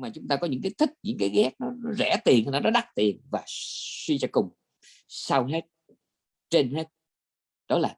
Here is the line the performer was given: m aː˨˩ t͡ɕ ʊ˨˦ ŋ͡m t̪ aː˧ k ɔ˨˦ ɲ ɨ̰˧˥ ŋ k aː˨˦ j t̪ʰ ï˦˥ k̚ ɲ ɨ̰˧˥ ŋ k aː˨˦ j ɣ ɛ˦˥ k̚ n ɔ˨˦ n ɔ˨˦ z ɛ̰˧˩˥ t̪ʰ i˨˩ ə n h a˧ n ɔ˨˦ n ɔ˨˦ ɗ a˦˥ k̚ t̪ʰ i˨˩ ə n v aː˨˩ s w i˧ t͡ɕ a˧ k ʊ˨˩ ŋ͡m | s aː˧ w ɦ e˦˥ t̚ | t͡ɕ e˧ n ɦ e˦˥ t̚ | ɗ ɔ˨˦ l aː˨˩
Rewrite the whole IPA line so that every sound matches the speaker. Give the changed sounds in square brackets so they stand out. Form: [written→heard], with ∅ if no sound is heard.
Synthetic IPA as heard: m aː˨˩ t͡ɕ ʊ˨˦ ŋ͡m t̪ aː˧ k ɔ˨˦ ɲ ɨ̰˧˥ ŋ k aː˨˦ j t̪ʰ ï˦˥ k̚ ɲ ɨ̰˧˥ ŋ k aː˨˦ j ɣ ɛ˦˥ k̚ n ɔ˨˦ n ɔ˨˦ z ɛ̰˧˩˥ [t̪ʰ→t̪] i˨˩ ə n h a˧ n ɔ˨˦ n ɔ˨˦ ɗ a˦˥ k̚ [t̪ʰ→t̪] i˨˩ ə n v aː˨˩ s w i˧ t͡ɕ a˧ k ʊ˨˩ ŋ͡m | s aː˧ w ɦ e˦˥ t̚ | t͡ɕ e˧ n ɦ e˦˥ t̚ | ɗ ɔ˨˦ l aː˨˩

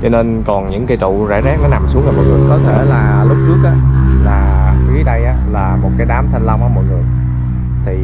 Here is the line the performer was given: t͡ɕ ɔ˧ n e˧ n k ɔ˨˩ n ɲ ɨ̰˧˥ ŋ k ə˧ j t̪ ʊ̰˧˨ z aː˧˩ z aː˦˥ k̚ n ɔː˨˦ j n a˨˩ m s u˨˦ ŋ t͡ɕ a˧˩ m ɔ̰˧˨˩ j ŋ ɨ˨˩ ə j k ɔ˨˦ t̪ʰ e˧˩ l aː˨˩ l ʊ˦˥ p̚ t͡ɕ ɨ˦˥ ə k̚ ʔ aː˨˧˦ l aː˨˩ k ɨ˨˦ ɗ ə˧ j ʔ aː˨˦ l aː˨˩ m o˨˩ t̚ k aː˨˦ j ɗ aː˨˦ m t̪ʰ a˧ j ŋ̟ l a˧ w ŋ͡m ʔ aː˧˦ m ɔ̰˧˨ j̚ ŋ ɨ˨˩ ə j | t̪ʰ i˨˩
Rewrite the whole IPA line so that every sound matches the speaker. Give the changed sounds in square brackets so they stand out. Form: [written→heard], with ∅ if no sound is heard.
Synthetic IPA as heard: t͡ɕ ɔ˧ n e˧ n k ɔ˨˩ n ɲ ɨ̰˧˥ ŋ k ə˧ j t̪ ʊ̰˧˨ z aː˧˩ z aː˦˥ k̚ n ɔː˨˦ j n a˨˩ m s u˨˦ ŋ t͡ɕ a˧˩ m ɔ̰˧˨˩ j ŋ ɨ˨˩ ə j k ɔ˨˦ t̪ʰ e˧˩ l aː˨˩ l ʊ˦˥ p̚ t͡ɕ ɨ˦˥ ə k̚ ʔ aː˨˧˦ l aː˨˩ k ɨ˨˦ ɗ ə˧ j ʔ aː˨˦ l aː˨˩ m o˨˩ t̚ k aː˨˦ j ɗ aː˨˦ m t̪ʰ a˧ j ŋ̟ l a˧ w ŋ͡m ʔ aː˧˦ m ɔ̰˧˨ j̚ ŋ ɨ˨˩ ə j | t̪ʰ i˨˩

